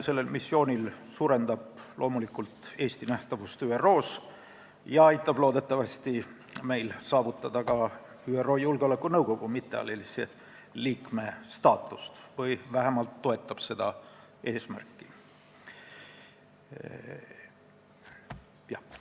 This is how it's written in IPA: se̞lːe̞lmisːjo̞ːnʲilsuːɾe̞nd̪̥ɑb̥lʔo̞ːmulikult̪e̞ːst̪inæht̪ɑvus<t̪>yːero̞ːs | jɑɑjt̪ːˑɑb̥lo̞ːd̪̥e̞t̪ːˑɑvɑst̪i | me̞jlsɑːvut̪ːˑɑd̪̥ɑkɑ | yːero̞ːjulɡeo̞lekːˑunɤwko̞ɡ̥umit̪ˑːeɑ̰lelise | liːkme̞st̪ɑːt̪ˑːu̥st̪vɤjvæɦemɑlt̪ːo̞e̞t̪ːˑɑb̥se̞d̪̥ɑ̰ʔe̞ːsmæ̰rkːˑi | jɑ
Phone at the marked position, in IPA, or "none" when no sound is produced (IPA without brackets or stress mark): t̪